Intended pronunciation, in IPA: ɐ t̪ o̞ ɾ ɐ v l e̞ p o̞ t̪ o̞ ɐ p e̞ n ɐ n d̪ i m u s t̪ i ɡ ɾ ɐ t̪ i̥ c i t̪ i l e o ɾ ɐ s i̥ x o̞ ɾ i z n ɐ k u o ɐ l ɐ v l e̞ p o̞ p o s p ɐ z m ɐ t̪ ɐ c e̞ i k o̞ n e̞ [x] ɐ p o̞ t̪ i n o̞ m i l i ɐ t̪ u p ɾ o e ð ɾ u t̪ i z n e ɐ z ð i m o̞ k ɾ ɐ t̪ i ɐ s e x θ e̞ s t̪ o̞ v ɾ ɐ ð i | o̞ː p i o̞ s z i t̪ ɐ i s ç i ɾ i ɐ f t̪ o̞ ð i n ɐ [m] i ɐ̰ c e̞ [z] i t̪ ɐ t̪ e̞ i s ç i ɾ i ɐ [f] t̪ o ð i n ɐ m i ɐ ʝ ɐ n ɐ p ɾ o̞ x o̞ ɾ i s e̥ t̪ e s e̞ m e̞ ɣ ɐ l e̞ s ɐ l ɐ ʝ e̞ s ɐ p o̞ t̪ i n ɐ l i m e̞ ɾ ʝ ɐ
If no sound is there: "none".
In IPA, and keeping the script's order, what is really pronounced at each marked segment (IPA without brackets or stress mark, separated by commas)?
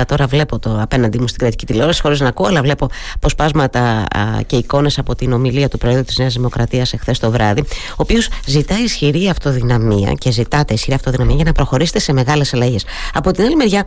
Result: s, m, z, f